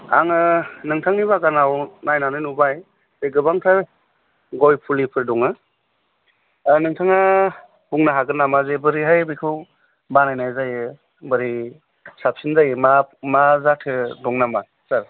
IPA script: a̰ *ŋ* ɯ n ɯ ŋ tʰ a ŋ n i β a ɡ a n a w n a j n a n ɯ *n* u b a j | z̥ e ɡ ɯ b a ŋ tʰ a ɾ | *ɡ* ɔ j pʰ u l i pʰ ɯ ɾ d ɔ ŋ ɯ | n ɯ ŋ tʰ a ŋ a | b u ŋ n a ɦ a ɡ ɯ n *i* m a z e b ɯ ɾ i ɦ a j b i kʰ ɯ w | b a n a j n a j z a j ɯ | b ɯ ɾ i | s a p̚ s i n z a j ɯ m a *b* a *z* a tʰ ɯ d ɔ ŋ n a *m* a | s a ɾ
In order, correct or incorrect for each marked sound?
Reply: correct, correct, correct, incorrect, incorrect, correct, correct

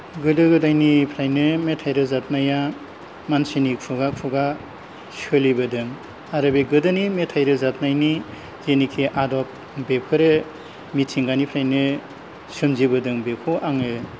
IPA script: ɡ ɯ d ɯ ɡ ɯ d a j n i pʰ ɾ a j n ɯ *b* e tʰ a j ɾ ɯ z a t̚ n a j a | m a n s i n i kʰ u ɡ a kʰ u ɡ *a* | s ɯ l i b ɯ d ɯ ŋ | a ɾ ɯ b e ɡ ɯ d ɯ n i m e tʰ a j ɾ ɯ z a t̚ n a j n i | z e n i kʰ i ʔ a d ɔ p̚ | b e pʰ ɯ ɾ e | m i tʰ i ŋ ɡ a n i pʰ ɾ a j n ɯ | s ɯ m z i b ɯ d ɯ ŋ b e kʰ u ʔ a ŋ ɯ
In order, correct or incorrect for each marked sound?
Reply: incorrect, correct

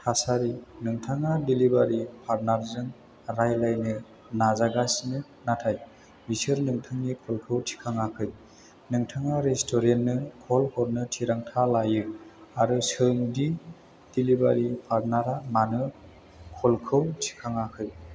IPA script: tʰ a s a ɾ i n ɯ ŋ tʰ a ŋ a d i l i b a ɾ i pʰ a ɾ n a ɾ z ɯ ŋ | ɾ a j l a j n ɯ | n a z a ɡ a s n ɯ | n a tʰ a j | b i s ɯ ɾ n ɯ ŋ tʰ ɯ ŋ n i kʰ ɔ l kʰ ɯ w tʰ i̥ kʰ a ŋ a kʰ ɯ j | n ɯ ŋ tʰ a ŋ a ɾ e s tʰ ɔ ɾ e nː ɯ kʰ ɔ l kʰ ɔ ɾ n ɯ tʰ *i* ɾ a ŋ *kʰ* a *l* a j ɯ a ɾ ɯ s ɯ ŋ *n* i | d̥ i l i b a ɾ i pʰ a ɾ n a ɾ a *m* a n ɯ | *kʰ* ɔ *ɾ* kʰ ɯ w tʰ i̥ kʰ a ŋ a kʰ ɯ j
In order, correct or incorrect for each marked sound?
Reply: correct, incorrect, correct, incorrect, correct, correct, incorrect

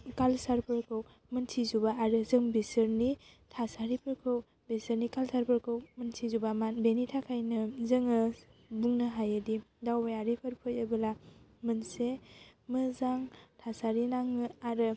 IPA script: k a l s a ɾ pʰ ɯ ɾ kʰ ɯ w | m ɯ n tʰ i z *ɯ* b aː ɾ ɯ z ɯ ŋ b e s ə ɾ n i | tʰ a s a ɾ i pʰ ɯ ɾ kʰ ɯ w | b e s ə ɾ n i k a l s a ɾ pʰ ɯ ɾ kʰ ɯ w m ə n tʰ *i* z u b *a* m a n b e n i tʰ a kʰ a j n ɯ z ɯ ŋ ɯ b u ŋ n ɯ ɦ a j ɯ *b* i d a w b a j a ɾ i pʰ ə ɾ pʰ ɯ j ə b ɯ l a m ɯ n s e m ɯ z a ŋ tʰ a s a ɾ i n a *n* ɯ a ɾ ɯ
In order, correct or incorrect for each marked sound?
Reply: incorrect, correct, correct, incorrect, incorrect

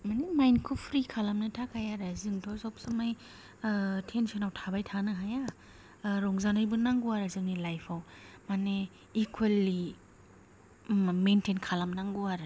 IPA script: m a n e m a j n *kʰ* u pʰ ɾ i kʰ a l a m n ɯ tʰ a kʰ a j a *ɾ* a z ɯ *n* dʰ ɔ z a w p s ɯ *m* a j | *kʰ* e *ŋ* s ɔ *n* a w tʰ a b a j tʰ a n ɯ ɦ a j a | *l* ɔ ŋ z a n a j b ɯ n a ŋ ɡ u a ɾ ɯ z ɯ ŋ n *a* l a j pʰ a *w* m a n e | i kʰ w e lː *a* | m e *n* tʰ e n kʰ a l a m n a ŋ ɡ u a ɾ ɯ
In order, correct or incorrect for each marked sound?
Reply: correct, correct, incorrect, correct, incorrect, incorrect, correct, incorrect, incorrect, correct, incorrect, correct

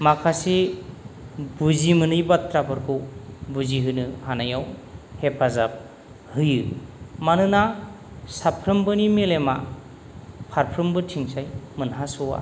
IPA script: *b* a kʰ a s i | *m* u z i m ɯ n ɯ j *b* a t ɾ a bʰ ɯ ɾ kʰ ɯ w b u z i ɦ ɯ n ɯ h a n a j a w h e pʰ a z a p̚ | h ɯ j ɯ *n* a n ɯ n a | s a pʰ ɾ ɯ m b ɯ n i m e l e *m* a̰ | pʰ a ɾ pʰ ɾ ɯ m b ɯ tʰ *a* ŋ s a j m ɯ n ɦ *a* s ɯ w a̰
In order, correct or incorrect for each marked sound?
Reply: incorrect, incorrect, correct, incorrect, correct, incorrect, correct

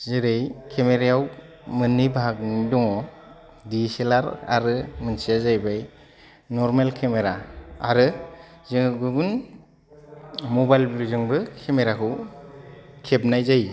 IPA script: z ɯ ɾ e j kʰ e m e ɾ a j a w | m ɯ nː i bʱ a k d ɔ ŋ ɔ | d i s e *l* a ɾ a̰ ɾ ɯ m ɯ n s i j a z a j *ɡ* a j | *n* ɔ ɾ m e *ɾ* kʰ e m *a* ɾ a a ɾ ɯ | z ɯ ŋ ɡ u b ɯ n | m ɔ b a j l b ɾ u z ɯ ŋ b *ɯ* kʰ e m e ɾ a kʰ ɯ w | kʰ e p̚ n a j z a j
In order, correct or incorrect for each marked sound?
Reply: correct, incorrect, correct, incorrect, incorrect, correct

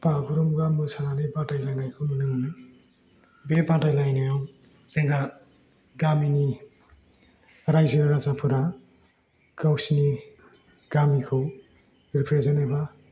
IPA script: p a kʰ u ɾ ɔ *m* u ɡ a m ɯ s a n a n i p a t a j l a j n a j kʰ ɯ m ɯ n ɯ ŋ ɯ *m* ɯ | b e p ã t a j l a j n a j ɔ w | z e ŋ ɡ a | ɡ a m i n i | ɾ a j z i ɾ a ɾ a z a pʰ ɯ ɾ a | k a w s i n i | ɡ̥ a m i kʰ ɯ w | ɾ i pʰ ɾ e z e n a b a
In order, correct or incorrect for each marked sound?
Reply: correct, incorrect

